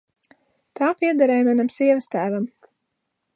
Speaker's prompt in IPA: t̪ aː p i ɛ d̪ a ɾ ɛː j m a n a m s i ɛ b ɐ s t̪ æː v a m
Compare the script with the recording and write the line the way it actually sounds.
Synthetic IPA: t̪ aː p i ɛ d̪ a ɾ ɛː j m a n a m s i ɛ v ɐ s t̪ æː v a m